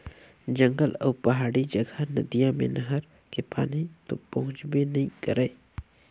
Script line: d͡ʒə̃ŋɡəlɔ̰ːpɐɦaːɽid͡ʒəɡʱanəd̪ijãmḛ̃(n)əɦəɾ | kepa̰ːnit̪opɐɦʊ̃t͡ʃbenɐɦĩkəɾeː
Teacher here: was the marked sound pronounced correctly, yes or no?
yes